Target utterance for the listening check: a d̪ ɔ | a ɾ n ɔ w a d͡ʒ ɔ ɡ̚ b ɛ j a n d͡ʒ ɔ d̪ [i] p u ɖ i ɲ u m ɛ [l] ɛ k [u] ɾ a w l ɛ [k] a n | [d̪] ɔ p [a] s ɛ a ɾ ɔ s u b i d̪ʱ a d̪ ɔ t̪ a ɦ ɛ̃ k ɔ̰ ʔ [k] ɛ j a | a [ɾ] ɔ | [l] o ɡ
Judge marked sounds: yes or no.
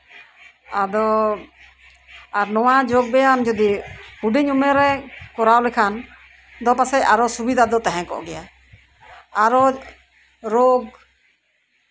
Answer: yes, no, no, no, yes, yes, no, yes, no

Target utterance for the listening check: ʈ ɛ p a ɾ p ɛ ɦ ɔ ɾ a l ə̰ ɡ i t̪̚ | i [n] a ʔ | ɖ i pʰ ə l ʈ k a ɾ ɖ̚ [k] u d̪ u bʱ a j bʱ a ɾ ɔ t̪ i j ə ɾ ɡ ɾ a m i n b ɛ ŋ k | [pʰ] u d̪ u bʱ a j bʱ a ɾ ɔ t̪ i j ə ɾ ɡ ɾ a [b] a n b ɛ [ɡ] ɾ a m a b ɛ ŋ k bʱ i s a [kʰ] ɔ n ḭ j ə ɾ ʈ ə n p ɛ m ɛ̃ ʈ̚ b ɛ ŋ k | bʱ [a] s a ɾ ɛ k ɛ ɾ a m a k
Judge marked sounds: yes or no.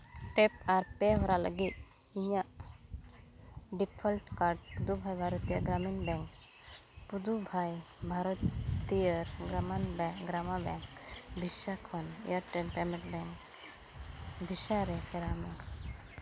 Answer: no, no, no, no, yes, yes, no

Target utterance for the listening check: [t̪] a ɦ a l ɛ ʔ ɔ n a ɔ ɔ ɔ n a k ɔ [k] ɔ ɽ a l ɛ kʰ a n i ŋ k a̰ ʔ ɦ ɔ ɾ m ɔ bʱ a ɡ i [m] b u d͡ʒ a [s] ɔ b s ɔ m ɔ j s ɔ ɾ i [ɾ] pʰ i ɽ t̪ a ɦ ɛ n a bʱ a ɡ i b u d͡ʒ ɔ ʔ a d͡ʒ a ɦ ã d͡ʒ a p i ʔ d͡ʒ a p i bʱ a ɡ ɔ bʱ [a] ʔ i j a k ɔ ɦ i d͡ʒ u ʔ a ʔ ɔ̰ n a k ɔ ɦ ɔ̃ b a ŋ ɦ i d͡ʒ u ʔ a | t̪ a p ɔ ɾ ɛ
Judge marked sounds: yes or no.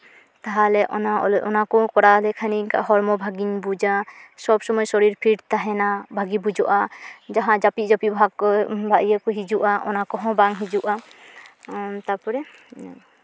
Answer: yes, yes, no, yes, yes, yes

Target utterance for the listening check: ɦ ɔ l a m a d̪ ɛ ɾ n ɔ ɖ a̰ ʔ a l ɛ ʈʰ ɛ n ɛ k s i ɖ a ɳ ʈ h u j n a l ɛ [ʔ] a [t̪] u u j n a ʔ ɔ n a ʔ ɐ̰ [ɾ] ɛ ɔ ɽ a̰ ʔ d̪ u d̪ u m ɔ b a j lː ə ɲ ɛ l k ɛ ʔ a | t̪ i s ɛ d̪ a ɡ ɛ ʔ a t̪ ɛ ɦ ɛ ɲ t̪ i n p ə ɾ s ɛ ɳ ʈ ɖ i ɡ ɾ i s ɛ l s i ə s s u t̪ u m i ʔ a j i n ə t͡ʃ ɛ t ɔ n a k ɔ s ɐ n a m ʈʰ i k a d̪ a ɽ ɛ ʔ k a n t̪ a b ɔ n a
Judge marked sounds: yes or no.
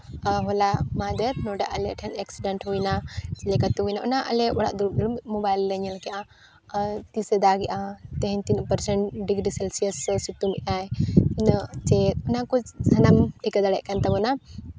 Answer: no, yes, no

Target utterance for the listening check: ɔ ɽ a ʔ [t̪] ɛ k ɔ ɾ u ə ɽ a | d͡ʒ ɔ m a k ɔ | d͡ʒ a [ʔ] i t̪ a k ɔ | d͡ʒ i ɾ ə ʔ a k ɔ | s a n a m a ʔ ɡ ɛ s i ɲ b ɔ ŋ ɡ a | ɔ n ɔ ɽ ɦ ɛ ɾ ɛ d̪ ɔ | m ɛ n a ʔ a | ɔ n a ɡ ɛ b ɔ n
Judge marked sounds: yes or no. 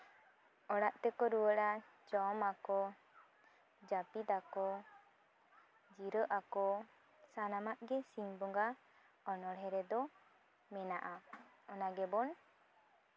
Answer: yes, no

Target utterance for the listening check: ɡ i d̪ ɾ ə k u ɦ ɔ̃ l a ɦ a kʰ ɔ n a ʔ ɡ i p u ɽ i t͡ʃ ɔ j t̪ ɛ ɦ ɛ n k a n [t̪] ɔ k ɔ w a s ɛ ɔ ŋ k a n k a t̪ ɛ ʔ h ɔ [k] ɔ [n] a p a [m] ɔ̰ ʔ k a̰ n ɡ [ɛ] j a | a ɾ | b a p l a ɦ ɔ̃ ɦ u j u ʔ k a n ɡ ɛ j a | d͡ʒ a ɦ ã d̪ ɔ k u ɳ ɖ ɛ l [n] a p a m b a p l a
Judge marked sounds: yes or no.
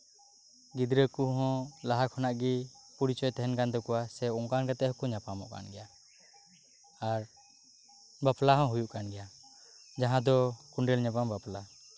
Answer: no, yes, no, yes, yes, no

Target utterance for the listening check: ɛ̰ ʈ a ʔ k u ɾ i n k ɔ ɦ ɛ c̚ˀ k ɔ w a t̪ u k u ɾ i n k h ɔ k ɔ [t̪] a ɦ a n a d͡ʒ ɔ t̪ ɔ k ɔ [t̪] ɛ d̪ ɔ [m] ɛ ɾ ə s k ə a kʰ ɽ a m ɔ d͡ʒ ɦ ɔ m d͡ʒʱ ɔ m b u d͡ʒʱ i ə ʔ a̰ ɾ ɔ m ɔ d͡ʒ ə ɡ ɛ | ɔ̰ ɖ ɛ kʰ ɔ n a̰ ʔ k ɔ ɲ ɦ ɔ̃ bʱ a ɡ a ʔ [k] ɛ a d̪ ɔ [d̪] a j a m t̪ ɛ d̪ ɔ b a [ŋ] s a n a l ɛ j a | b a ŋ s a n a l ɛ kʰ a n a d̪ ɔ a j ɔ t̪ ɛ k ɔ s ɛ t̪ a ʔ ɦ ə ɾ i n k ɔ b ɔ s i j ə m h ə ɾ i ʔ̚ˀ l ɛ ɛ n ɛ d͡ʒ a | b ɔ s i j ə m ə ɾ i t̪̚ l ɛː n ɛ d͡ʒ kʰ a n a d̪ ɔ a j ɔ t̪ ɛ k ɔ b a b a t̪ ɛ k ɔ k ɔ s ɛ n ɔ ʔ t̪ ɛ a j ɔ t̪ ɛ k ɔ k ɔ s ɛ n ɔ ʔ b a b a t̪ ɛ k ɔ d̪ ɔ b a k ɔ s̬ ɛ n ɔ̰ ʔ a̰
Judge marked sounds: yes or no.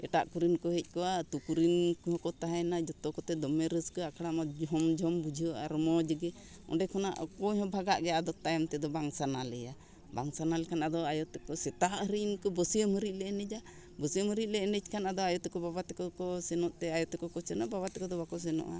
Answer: yes, yes, yes, no, no, yes

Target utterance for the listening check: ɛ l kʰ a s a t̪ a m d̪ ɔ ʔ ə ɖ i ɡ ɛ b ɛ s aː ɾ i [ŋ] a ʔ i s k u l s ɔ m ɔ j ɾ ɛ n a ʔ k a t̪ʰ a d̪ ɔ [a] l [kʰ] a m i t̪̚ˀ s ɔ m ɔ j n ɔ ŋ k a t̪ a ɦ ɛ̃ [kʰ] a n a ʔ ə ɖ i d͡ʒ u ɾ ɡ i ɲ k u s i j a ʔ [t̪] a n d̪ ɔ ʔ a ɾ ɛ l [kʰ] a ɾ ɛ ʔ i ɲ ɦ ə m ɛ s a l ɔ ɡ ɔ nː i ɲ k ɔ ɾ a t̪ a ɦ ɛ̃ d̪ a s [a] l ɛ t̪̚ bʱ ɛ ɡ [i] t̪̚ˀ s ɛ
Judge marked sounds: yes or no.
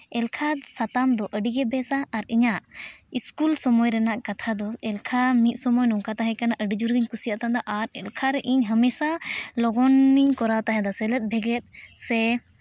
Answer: no, no, yes, no, yes, yes, no, no

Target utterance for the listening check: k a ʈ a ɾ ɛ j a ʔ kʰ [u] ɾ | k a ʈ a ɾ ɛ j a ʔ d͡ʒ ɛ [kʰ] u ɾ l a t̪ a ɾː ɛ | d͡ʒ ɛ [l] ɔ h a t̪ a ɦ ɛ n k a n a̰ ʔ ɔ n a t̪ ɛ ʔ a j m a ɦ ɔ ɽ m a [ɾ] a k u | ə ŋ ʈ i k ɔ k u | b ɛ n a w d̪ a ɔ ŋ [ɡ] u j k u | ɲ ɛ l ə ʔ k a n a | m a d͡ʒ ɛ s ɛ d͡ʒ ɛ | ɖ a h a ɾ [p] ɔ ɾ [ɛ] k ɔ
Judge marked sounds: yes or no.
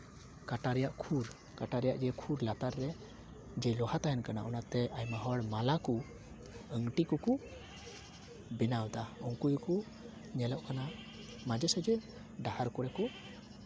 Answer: yes, yes, yes, no, no, no, yes

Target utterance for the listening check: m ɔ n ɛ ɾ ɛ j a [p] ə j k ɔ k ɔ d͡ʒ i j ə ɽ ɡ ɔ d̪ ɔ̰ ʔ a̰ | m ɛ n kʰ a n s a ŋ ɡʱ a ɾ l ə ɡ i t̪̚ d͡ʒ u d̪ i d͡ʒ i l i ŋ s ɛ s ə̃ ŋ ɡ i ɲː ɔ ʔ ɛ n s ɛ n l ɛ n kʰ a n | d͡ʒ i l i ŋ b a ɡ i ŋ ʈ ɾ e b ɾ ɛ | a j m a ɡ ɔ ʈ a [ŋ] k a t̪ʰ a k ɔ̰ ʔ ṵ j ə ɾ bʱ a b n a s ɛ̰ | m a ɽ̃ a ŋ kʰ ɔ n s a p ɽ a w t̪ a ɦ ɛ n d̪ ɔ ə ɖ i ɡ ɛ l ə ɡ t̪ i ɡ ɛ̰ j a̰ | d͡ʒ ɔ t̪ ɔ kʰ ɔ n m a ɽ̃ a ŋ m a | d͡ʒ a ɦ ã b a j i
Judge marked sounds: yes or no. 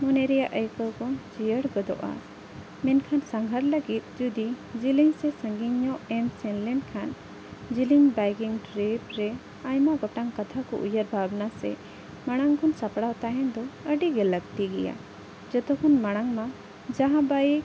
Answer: no, yes

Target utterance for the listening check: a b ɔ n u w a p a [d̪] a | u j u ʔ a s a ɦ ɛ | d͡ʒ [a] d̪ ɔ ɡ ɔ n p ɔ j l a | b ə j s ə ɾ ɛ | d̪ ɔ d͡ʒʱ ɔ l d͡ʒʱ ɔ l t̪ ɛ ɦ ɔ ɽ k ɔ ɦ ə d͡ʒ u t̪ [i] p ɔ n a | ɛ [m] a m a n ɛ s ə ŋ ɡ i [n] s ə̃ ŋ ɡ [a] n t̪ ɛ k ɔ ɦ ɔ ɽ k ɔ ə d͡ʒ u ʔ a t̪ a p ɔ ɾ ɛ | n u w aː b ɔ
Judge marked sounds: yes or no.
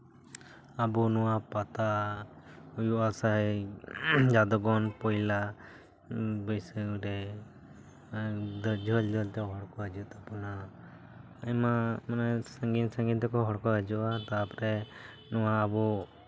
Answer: no, yes, no, yes, yes, no

